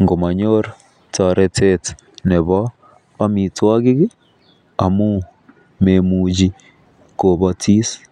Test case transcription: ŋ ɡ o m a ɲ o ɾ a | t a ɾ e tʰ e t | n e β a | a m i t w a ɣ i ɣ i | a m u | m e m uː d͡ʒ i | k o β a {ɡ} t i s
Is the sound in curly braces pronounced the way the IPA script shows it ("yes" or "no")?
no